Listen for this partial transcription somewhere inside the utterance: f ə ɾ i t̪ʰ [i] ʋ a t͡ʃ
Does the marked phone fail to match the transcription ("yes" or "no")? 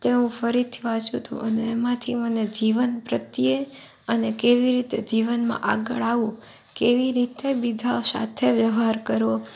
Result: no